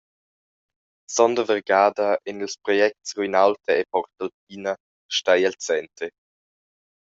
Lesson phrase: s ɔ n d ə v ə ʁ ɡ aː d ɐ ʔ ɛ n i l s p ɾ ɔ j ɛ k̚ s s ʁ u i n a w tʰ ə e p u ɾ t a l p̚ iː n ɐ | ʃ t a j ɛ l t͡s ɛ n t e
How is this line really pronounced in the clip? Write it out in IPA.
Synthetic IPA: s ɔ n d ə v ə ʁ ɡ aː d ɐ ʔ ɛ n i l s p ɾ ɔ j ɛ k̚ t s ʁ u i n a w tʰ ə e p ɔ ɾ t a l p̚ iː n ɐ | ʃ t a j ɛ l t͡s ɛ n t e